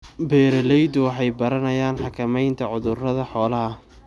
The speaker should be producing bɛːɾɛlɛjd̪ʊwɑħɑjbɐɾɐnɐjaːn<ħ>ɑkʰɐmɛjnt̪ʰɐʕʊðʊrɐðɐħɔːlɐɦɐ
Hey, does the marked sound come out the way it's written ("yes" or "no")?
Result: yes